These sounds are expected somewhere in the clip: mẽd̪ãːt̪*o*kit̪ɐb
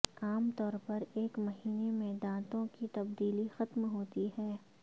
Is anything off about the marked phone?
yes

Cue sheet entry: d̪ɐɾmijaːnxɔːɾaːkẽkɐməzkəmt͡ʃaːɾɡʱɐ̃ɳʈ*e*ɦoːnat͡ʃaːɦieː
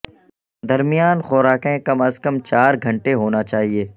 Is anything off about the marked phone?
no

